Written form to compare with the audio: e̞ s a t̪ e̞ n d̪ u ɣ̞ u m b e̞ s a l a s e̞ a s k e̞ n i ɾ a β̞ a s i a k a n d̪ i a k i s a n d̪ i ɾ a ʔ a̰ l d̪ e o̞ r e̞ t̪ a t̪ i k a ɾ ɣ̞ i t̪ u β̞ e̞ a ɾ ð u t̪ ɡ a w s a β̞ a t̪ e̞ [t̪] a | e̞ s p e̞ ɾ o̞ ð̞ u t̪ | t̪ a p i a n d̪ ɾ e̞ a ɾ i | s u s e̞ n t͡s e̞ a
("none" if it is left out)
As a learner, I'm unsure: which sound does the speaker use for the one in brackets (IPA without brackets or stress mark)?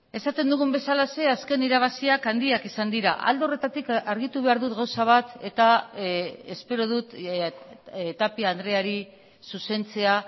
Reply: t̪